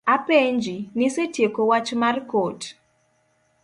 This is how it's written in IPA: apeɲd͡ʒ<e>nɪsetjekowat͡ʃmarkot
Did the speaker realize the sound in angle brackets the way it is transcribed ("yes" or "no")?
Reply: no